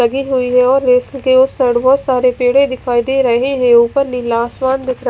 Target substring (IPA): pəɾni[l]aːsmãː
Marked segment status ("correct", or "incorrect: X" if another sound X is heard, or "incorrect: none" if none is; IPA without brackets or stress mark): correct